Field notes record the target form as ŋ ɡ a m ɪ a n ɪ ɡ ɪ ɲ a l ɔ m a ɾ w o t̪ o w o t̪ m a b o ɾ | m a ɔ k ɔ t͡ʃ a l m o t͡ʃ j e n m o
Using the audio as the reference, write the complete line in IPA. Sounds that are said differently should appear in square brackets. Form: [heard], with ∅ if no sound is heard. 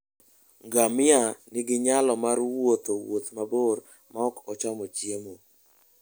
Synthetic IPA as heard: ŋ ɡ a m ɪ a n ɪ ɡ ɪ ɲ a l ɔ m a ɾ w o t̪ o w o t̪ m a b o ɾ | m a ɔ k ɔ t͡ʃ a [∅] m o t͡ʃ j e [∅] m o